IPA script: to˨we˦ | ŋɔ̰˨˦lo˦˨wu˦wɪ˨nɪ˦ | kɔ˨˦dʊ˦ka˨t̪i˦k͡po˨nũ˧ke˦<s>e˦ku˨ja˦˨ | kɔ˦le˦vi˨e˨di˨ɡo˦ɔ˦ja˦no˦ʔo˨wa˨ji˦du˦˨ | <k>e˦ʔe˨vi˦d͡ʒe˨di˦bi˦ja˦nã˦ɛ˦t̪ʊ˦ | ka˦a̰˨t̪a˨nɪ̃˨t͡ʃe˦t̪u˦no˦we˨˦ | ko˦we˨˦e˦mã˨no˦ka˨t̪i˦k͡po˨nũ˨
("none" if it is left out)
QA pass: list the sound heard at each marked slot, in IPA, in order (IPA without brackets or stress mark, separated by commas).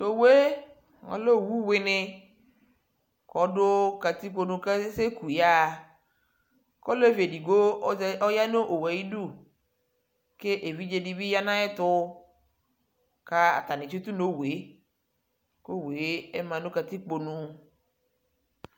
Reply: s, k